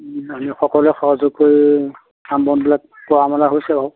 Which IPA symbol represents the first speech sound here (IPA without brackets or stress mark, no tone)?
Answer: a